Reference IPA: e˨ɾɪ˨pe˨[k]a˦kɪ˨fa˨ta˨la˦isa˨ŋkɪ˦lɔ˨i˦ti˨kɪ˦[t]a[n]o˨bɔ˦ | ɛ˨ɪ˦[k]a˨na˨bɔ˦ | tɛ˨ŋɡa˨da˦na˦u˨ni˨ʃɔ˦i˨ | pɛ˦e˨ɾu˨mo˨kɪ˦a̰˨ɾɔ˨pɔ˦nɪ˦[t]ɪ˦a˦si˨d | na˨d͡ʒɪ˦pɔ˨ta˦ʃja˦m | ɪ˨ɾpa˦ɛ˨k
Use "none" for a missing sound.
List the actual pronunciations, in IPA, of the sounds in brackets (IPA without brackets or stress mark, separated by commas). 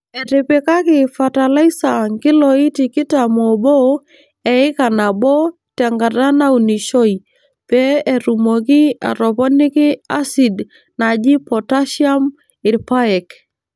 k, t, m, k, k